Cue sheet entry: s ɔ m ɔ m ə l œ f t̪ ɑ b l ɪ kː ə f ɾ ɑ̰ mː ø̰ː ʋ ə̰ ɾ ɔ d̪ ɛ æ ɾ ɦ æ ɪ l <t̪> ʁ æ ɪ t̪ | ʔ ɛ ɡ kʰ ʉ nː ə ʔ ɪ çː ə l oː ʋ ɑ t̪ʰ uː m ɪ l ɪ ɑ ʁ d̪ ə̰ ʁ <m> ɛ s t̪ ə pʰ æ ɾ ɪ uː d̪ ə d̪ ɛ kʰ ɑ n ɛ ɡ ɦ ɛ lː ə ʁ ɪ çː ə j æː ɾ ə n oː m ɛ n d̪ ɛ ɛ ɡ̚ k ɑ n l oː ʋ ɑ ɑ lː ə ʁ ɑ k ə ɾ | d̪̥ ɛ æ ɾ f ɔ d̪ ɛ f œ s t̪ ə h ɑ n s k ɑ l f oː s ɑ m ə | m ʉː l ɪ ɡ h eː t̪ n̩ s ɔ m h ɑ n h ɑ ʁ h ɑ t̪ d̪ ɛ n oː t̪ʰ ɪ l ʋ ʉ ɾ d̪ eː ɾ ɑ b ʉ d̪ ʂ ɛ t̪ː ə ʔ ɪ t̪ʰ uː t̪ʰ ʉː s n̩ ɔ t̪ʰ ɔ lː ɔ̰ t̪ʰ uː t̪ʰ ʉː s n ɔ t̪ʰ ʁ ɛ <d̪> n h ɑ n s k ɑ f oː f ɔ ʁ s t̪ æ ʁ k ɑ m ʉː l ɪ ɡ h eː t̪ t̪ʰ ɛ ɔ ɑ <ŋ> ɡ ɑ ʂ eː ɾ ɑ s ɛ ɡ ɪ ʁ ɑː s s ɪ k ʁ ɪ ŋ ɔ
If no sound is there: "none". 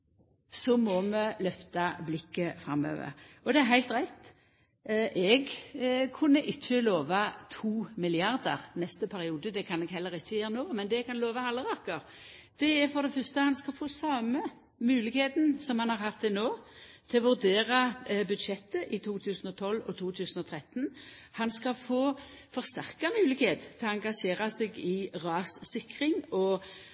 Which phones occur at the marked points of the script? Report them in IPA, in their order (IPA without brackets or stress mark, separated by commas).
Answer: t̪, n, t̪, ŋ